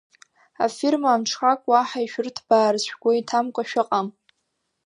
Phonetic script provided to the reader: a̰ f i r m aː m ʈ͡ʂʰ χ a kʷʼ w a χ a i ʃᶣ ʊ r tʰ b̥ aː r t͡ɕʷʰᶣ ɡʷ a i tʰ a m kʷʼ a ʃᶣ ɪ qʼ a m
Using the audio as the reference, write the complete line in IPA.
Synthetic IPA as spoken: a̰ f i r m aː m ʈ͡ʂʰ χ a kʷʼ w a ħ a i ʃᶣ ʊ r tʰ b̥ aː r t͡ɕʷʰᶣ ɡʷ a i tʰ a m kʷʼ a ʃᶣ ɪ qʼ a m